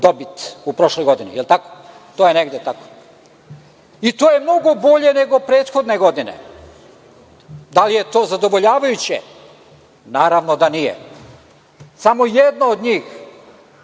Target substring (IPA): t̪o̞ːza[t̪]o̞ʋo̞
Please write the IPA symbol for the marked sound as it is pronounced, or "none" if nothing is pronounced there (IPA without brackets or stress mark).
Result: d̪